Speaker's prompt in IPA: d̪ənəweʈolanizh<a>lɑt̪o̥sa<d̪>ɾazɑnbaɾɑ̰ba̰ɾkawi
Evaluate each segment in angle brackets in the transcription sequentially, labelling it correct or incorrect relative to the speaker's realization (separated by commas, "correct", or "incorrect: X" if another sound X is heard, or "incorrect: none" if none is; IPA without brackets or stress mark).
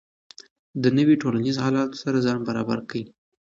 incorrect: ɑ, incorrect: none